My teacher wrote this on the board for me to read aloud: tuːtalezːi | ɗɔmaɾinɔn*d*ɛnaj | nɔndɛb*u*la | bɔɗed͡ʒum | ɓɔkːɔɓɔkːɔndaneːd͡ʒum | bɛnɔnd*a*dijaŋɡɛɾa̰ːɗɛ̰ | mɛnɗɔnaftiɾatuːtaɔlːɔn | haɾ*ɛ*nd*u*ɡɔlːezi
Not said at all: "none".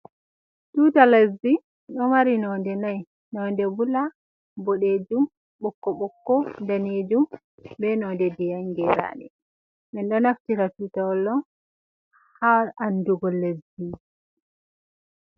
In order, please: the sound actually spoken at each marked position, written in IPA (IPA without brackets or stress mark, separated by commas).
d, u, ɛ, a, u